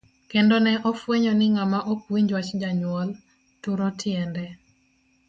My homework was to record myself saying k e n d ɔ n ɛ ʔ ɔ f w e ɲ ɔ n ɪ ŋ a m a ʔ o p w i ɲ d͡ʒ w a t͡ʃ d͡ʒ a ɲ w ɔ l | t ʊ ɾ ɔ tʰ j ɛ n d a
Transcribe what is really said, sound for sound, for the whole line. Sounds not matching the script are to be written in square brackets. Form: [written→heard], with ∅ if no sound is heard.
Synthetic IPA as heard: k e n d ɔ n ɛ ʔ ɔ f w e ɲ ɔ n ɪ ŋ a m a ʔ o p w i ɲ d͡ʒ w a t͡ʃ d͡ʒ a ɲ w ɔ l | t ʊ ɾ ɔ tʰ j ɛ n d [a→ɛ]